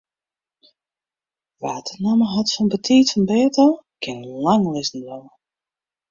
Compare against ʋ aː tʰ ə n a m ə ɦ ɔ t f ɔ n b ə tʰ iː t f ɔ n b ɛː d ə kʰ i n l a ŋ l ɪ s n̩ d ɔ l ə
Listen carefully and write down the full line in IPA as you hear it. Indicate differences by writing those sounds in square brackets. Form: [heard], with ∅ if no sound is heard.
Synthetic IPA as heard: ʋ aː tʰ ə n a m ə ɦ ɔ t f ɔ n b ə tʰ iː t f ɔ n b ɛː [t] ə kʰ [ɪ] n l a ŋ l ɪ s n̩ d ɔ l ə